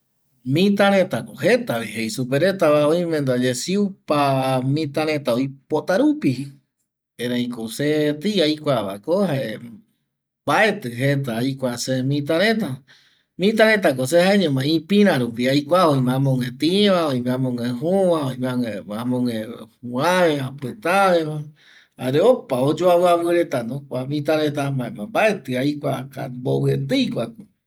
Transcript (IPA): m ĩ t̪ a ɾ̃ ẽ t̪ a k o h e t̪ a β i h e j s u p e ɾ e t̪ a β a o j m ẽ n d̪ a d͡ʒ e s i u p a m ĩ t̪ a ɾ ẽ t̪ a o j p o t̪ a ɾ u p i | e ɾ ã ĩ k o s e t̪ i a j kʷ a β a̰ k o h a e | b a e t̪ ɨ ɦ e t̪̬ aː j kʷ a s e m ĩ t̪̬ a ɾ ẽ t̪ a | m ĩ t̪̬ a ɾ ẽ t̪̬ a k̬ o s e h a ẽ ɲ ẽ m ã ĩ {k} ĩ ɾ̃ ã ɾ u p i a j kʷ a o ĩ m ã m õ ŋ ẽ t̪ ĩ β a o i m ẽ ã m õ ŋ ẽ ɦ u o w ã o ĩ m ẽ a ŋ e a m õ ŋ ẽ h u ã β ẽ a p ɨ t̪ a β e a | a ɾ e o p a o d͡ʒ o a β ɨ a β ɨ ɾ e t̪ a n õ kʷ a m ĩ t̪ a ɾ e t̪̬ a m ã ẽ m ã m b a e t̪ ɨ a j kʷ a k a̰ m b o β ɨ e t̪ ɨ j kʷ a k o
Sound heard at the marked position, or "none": p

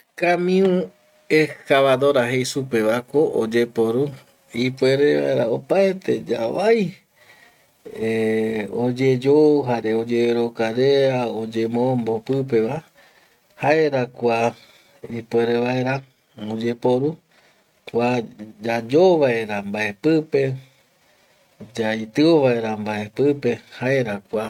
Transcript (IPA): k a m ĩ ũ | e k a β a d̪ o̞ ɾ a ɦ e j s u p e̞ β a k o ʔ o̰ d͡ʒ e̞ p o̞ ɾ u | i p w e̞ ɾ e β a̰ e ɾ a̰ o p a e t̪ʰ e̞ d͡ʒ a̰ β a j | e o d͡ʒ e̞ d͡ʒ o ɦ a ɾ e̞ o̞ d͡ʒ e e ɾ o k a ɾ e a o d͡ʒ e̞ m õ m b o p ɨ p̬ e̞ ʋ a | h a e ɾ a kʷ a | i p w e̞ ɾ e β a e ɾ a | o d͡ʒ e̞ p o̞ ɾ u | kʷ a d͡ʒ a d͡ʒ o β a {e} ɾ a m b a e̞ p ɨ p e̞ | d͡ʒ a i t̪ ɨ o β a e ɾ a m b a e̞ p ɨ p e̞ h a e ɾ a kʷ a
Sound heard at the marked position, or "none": e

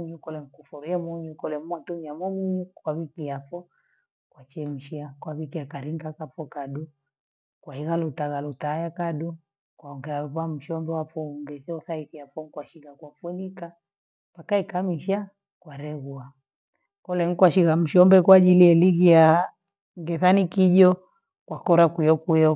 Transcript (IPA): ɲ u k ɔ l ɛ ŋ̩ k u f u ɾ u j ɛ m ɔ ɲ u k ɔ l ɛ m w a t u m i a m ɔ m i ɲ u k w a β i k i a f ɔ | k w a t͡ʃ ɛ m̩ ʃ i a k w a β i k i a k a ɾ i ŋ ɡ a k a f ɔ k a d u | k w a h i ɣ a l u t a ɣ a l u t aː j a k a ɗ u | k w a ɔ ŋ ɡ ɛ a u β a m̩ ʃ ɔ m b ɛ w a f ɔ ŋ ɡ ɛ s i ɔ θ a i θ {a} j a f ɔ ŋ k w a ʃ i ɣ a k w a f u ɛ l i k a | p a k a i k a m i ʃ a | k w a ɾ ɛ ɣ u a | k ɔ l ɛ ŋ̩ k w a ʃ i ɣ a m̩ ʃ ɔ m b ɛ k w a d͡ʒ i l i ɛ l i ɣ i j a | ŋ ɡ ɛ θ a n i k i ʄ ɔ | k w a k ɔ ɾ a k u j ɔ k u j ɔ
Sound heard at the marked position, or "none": i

